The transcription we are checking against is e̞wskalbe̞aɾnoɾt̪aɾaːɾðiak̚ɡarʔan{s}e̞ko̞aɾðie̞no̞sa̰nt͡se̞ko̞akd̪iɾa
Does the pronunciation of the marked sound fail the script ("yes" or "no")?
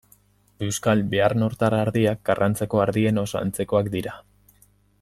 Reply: yes